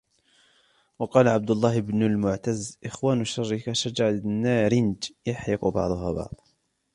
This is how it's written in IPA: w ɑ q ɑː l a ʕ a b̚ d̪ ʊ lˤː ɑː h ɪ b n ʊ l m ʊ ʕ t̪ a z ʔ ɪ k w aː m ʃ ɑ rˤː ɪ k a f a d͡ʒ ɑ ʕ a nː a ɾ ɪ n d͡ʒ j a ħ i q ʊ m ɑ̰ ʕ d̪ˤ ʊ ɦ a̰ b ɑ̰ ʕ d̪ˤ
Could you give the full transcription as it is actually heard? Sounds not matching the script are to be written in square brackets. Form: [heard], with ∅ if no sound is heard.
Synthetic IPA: w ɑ q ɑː l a ʕ a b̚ d̪ ʊ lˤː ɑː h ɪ b n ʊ l m ʊ ʕ t̪ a z ʔ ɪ [x] w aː [n] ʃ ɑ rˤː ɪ k a [ʃ] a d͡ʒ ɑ ʕ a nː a ɾ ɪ n d͡ʒ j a ħ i q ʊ [b] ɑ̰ ʕ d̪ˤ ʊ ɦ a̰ b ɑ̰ ʕ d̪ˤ